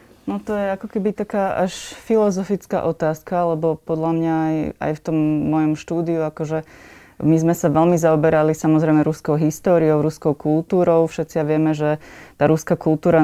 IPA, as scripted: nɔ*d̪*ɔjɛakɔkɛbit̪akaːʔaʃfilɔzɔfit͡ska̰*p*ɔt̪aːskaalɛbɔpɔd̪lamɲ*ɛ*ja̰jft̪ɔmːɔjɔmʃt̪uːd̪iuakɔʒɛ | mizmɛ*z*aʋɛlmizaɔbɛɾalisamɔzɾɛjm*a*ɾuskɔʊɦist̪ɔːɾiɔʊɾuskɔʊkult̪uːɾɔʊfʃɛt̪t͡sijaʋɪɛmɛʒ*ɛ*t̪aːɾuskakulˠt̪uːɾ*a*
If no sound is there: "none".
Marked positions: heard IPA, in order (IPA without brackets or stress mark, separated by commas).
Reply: t̪, ʔ, a, s, ɛ, ɛ, a